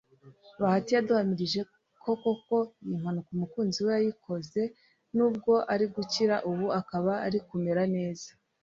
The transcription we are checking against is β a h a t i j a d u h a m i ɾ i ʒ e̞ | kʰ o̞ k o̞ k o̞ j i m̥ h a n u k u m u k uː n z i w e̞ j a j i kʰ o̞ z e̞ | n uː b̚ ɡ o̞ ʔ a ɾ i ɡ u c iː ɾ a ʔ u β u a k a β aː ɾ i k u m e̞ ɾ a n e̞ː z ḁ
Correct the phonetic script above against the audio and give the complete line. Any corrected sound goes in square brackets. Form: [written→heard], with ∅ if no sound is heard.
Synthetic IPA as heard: β a h a t i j a d u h a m i ɾ i ʒ e̞ | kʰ o̞ k o̞ k o̞ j i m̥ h a n u k u m u k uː n z i w e̞ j a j i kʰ o̞ z e̞ | n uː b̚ ɡ o̞ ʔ a ɾ i ɡ u c [iː→i] ɾ a ʔ u β u a k a β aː ɾ i k u m e̞ ɾ a n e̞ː z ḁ